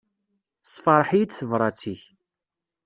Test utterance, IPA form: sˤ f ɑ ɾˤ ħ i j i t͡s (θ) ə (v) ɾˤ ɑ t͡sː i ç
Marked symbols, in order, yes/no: yes, yes

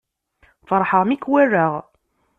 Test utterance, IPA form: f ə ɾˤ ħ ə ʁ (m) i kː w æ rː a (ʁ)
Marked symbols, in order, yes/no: yes, yes

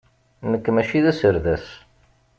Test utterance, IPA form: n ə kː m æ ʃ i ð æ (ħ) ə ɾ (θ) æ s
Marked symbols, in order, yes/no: no, no

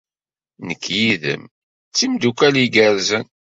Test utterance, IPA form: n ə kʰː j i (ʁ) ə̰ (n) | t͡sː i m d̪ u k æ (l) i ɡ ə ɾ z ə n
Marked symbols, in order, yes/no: no, no, yes

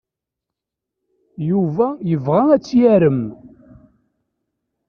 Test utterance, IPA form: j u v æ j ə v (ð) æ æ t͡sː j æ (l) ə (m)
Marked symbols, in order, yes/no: no, no, yes

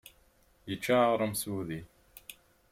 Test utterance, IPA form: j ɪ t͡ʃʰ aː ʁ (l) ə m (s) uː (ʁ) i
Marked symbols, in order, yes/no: no, yes, no

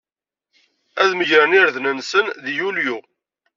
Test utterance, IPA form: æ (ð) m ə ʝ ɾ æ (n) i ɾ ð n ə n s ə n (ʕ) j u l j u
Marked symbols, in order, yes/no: yes, yes, no

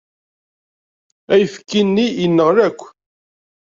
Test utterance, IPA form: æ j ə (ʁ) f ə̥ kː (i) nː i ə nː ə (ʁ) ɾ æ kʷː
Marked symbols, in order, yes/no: no, yes, yes

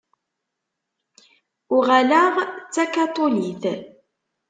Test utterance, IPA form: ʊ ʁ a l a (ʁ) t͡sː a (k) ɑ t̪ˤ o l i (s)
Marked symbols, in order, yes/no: yes, yes, no

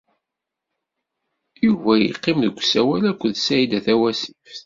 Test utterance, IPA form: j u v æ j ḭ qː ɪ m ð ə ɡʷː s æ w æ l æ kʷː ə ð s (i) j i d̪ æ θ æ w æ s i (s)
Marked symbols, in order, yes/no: no, no

